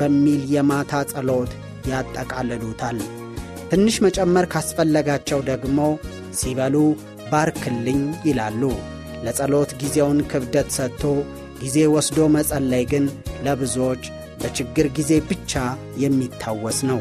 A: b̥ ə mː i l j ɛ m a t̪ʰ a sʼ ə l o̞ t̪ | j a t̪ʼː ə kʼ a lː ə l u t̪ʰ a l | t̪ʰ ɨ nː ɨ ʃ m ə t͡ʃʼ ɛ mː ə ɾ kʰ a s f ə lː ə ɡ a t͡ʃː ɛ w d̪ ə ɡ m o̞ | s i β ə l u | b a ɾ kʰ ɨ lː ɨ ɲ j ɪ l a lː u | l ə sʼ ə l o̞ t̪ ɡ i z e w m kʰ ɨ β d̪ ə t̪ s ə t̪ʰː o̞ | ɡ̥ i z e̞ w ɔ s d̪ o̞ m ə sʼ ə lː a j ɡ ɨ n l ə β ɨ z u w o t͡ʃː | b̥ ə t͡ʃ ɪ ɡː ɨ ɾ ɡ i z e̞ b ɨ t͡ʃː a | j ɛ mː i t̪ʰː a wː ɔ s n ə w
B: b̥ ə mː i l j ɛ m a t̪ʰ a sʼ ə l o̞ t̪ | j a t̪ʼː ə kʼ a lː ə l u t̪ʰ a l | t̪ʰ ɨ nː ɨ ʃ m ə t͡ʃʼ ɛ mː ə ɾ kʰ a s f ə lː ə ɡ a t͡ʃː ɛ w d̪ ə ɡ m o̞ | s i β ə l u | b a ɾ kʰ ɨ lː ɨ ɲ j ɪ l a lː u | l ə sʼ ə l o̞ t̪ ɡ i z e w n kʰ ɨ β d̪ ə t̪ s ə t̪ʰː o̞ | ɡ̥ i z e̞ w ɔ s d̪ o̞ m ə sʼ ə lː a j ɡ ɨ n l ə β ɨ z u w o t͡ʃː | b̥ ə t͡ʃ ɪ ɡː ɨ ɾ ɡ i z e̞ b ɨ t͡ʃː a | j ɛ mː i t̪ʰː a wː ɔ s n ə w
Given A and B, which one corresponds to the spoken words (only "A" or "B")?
B